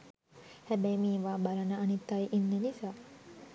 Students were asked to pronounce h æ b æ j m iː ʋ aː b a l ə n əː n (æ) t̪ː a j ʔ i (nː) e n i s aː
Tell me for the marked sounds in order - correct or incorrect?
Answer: incorrect, correct

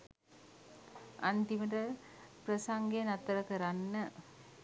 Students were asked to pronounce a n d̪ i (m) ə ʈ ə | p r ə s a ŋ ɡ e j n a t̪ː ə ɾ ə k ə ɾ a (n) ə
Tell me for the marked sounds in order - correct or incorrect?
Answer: correct, incorrect

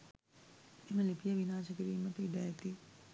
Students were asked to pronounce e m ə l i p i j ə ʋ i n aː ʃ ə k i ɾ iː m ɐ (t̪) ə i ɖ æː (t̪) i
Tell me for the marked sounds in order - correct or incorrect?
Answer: correct, correct

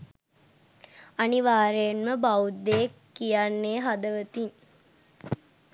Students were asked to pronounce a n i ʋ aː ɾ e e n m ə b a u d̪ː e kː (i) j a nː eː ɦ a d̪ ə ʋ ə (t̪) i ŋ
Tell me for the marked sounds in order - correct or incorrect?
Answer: correct, correct

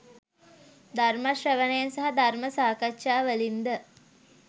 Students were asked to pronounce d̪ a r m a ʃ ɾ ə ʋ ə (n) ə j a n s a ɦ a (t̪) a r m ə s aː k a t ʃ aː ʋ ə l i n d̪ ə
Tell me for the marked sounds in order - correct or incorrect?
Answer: correct, incorrect

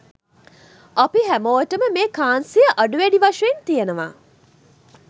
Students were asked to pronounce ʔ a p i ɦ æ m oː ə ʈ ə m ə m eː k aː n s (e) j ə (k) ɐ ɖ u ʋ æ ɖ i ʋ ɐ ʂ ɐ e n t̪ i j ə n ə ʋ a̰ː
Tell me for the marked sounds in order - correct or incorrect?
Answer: incorrect, incorrect

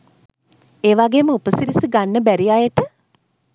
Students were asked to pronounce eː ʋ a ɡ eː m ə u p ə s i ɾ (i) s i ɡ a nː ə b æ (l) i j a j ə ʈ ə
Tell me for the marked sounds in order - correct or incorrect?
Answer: correct, incorrect

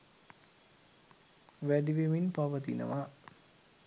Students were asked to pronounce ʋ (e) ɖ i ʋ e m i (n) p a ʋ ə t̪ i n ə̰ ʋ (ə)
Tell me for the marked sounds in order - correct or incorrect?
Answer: incorrect, correct, incorrect

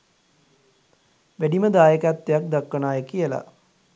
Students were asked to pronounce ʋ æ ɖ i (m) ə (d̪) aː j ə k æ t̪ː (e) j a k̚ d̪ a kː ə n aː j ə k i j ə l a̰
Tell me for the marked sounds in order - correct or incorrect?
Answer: correct, correct, correct

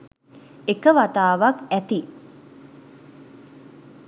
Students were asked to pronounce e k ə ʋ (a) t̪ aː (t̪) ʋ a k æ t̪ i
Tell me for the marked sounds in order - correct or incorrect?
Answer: correct, incorrect

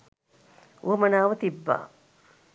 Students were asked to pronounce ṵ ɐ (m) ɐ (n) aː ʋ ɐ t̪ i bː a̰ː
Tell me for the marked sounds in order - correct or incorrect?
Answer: correct, correct

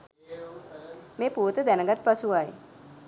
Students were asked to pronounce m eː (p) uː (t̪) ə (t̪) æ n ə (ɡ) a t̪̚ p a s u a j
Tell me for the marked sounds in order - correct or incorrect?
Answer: correct, correct, incorrect, correct

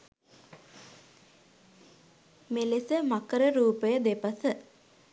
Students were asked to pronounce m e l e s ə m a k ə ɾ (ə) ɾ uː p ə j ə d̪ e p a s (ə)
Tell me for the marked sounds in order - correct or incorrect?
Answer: correct, correct

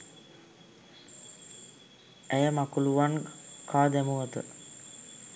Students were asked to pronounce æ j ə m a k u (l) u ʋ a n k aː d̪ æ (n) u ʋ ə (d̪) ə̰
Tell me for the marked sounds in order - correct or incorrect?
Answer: correct, incorrect, incorrect

